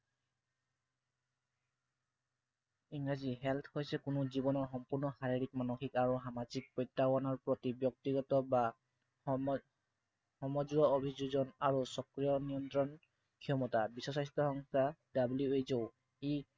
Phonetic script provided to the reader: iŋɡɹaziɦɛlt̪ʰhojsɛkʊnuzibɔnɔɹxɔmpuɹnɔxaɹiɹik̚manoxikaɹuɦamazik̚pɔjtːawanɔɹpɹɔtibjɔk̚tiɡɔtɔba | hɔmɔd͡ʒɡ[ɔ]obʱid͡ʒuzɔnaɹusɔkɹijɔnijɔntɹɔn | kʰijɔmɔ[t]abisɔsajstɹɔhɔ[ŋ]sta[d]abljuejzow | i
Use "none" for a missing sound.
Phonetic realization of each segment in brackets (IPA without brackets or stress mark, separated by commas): ɔ, t, ŋ, d